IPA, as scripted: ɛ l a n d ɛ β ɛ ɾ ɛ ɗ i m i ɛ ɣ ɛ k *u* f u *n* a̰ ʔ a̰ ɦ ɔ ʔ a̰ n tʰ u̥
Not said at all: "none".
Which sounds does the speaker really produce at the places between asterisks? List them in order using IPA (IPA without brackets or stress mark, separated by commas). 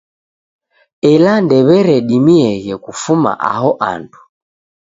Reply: u, m